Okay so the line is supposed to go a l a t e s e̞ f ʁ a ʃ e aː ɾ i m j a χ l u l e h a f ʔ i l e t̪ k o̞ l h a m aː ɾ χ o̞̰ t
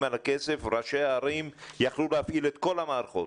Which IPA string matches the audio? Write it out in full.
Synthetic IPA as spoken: a l a k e s e̞ f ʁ a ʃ e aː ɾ i m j a χ l u l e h a f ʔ i l e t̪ k o̞ l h a m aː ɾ χ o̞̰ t